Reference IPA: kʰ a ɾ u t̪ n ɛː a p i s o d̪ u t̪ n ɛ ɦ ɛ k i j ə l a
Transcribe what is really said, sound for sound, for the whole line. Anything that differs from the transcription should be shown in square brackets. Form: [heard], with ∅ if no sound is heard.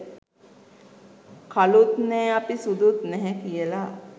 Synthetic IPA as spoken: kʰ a [l] u t̪ n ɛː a p i s [u] d̪ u t̪ n ɛ ɦ ɛ k i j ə l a